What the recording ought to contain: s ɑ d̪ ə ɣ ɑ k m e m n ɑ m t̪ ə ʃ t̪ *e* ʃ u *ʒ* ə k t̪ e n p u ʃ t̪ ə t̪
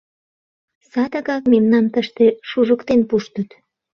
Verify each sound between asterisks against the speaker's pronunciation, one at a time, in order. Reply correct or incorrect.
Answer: correct, correct

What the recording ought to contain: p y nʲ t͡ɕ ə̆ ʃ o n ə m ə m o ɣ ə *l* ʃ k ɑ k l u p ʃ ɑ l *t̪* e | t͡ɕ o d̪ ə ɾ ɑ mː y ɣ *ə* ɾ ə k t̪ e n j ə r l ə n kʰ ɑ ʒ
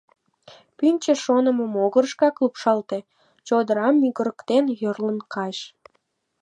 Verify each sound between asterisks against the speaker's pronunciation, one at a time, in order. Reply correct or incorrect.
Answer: incorrect: r, correct, correct

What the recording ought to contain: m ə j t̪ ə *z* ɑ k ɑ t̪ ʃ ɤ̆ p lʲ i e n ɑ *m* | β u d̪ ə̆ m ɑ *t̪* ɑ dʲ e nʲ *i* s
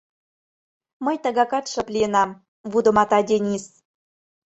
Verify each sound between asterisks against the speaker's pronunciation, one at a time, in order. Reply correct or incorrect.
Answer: incorrect: ɣ, correct, correct, correct

